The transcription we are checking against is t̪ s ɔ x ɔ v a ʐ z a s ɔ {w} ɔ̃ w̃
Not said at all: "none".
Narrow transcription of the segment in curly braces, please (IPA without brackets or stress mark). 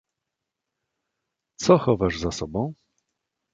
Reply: b